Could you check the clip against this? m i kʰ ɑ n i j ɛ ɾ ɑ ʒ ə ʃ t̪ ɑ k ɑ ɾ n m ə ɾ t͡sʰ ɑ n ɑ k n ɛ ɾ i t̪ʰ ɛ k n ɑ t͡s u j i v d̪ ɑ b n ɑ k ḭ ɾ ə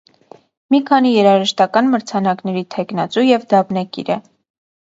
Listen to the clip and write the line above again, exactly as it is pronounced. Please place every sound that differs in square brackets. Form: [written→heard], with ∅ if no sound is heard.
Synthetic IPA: m i kʰ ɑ n i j ɛ ɾ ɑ ʒ ə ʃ t̪ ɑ k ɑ [ɾ→∅] n m ə ɾ t͡sʰ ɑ n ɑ k n ɛ ɾ i t̪ʰ ɛ k n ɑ t͡s u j [i→ɛ] v d̪ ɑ b n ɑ k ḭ ɾ ə